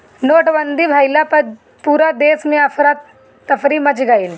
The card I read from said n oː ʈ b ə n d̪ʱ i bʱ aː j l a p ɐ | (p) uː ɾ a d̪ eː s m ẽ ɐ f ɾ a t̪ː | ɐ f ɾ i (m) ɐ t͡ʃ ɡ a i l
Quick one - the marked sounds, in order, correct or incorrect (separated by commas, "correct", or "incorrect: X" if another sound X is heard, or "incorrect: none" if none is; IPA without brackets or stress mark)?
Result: correct, correct